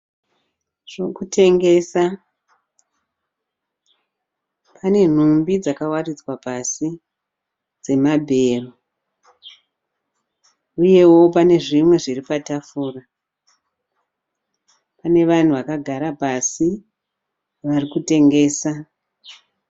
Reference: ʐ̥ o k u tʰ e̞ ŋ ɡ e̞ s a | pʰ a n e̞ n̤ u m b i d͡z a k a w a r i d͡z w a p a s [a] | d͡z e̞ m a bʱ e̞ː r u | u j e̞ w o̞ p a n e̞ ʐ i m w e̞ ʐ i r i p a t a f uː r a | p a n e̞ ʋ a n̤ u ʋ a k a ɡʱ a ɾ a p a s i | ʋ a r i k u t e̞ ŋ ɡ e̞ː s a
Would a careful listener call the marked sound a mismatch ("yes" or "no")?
yes